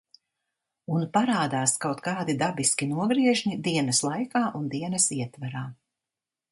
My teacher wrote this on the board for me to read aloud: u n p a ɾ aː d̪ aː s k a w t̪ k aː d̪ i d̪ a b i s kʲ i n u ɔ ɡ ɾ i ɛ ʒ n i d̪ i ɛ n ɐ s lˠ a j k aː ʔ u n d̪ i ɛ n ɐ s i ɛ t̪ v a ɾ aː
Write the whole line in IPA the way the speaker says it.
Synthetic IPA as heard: u n p a ɾ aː d̪ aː s k a w t̪ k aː d̪ i d̪ a b i s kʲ i n u ɔ ɡ ɾ i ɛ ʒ n i d̪ i ɛ n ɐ s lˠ a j k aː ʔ u n d̪ i ɛ n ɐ s i ɛ t̪ v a ɾ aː